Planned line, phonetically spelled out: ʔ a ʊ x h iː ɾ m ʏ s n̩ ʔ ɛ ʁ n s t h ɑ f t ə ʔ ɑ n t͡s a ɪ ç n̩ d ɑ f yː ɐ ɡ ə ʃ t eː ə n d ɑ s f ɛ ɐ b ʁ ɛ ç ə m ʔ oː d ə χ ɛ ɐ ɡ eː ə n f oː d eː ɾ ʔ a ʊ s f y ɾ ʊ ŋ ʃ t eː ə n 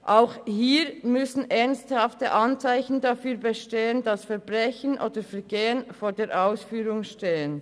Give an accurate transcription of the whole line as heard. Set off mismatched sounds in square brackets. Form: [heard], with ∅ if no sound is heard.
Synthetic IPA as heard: ʔ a ʊ x h iː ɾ m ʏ s n̩ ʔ ɛ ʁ n s t h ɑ f t ə ʔ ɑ n t͡s a ɪ ç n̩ d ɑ f yː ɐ [b] ə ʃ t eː ə n d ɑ s f ɛ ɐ b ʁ ɛ ç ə [n] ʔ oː d ə [f] ɛ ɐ ɡ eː ə n f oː d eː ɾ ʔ a ʊ s f [yː] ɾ ʊ ŋ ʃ t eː ə n